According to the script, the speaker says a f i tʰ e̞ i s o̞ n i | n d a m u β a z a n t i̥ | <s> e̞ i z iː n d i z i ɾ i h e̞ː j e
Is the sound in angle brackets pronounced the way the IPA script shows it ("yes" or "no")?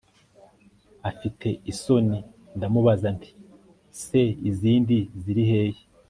yes